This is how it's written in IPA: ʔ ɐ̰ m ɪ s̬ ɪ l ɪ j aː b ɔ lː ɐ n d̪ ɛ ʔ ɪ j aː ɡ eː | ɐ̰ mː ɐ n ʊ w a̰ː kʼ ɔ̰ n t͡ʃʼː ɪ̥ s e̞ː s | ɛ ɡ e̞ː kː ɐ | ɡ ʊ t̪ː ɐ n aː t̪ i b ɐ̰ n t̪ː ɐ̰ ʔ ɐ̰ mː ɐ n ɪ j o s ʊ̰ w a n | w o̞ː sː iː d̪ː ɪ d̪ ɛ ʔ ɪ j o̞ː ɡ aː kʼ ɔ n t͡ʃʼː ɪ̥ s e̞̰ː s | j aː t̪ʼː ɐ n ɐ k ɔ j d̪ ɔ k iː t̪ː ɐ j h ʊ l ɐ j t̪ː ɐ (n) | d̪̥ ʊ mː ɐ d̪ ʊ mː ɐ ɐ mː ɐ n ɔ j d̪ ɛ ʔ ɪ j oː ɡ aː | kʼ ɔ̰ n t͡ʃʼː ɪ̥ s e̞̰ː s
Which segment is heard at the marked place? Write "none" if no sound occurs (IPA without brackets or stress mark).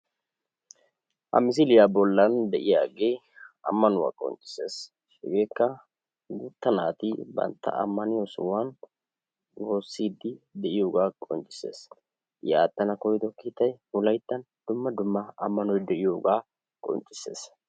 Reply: n